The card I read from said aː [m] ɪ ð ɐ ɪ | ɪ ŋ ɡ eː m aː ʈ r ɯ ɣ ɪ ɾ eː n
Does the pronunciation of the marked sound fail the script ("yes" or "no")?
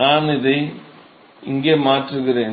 yes